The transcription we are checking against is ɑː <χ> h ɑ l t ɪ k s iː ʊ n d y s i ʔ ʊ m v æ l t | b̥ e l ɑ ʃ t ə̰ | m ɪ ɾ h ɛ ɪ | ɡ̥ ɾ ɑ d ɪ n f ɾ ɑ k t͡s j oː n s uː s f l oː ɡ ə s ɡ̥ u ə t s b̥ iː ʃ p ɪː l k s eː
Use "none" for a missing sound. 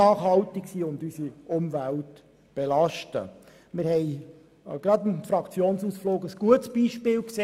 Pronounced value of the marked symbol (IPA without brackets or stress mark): χ